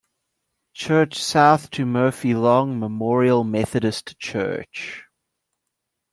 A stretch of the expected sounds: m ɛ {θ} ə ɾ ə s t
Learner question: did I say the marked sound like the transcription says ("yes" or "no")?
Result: yes